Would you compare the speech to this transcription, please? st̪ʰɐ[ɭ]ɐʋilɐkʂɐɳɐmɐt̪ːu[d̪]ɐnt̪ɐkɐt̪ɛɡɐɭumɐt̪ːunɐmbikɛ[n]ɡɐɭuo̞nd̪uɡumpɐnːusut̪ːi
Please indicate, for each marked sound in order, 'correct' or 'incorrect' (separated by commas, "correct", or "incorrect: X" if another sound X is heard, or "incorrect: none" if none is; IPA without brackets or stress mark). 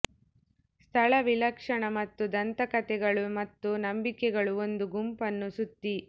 correct, correct, incorrect: none